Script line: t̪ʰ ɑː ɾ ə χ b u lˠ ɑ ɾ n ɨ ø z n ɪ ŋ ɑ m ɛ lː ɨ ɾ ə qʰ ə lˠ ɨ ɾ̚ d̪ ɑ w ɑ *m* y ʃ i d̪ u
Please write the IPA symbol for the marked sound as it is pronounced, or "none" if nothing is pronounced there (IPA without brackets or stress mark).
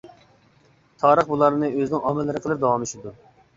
m